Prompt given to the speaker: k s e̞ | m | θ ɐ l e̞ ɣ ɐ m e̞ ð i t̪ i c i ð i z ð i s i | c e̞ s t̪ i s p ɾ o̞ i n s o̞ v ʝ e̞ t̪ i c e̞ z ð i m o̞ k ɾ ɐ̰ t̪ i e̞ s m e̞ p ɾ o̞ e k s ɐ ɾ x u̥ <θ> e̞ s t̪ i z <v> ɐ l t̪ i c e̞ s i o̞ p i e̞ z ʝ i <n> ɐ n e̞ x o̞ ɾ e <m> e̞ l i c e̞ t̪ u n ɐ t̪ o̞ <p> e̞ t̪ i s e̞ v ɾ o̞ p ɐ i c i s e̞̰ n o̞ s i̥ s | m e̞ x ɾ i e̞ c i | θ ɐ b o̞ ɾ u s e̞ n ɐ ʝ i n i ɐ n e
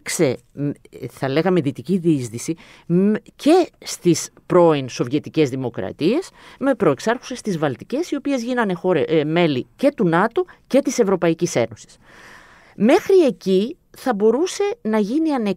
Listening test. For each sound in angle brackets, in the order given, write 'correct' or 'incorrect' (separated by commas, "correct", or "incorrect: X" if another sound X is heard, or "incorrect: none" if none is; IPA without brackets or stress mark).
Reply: incorrect: s, correct, correct, correct, incorrect: c